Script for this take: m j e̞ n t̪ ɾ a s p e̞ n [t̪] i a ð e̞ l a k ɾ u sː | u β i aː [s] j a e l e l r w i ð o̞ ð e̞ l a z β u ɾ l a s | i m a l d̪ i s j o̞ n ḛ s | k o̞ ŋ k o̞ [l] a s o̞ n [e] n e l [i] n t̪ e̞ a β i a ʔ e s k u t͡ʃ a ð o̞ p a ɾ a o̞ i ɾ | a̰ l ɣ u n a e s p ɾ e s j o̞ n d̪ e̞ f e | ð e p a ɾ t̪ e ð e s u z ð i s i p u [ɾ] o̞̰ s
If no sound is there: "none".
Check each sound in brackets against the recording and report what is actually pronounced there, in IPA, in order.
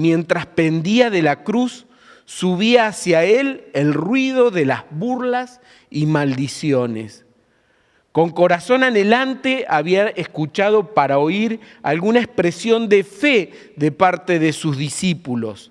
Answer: d̪, s, ɾ, a, a, l

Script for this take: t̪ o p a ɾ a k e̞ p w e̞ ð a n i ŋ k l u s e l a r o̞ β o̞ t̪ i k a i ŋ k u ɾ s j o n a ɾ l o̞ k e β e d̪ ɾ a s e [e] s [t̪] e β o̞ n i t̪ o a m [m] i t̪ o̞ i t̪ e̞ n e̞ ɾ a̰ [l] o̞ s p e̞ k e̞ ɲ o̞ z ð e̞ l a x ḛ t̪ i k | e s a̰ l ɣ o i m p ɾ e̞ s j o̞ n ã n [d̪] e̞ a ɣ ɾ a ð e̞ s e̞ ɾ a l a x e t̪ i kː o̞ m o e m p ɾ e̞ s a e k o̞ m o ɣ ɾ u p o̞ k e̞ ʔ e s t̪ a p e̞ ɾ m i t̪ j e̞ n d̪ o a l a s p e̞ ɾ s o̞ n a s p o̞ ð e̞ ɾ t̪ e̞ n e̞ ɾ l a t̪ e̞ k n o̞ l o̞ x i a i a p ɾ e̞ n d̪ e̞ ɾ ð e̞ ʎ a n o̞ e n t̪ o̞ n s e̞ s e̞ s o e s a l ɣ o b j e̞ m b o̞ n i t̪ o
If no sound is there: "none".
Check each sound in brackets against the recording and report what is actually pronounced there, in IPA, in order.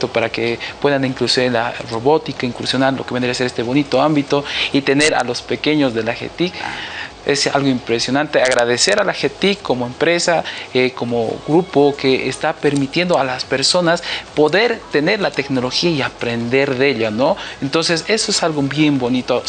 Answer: e, t̪, b, l, t̪

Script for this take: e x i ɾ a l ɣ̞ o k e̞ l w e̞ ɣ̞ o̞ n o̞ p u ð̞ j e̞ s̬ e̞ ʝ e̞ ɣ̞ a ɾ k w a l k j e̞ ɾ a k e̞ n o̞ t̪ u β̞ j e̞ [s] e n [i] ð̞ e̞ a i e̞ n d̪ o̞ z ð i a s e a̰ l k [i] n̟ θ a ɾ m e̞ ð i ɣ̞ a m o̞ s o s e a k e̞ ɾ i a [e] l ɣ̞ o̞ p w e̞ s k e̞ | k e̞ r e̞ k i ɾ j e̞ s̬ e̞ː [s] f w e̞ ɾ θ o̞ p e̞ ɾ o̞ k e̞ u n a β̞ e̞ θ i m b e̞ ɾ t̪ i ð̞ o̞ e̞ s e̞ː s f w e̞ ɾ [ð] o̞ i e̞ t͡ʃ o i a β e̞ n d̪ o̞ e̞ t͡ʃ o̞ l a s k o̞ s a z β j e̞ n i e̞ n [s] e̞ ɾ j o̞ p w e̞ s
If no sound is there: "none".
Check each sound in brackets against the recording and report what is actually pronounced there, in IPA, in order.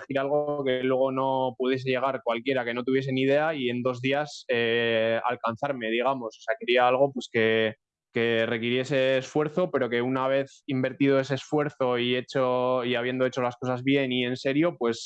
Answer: s, i, a, a, s, θ, s

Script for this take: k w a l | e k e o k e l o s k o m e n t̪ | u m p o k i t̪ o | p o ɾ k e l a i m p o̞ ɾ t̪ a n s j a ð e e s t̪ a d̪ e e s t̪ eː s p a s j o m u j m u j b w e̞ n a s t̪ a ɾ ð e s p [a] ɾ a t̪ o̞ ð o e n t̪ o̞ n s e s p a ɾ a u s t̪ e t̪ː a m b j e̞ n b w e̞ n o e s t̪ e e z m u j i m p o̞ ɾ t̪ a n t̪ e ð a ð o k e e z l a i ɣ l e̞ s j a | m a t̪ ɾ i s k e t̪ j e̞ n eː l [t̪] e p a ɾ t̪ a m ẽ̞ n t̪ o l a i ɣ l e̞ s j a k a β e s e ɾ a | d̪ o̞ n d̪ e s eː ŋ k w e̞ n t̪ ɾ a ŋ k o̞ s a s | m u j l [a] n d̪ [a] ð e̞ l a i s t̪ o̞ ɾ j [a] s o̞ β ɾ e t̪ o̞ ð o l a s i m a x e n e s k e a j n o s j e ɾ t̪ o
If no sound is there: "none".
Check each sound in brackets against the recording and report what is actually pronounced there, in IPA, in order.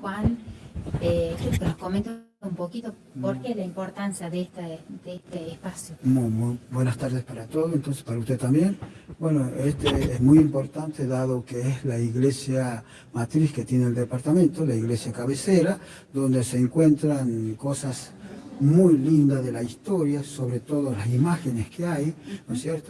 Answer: a, d̪, i, a, a

